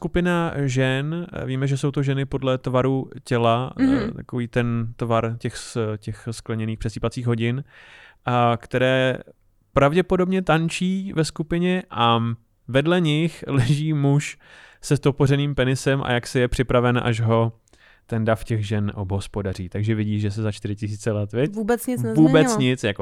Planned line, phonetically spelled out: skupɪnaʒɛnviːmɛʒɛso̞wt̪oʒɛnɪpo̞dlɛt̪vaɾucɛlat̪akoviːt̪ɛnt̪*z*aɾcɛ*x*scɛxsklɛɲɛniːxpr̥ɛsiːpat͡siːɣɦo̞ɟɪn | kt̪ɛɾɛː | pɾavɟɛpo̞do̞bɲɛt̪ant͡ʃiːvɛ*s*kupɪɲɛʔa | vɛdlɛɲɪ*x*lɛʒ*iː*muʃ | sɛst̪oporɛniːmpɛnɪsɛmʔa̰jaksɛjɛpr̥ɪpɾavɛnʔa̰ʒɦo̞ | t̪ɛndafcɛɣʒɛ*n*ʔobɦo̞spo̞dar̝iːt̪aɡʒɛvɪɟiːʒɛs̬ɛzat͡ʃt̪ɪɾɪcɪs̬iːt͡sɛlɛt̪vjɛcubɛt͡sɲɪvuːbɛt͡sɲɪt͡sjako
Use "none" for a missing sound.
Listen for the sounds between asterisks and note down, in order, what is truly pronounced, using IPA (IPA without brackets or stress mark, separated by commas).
v, x, s, x, iː, n